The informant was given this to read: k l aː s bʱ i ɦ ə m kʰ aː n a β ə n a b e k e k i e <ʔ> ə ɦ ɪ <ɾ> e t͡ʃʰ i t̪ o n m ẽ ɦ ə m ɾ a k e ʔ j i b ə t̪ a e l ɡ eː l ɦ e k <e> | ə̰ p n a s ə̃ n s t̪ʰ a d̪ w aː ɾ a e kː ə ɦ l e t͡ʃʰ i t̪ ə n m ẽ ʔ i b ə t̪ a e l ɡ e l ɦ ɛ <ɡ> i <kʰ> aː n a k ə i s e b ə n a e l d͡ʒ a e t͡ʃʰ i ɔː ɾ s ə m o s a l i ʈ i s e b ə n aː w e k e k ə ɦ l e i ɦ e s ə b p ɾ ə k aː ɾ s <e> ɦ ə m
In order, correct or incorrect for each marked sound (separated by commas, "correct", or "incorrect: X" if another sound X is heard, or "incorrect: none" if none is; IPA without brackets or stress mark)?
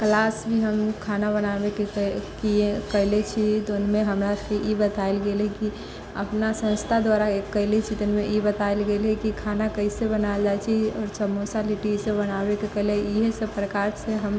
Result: incorrect: k, incorrect: l, incorrect: i, incorrect: k, correct, correct